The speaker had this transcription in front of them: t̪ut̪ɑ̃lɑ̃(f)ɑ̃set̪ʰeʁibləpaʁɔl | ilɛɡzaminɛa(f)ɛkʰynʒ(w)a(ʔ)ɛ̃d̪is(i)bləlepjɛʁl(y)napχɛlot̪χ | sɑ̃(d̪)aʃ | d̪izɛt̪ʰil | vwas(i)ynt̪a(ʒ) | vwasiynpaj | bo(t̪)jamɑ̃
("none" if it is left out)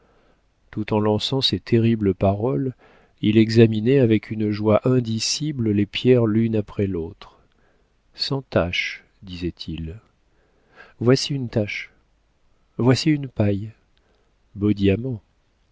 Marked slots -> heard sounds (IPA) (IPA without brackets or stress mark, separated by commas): s, v, w, ʔ, i, y, t̪, i, ʃ, d̪